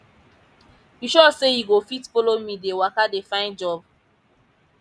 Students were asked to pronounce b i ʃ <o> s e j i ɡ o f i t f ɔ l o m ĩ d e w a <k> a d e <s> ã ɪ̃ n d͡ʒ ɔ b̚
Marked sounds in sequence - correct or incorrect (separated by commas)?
incorrect, correct, incorrect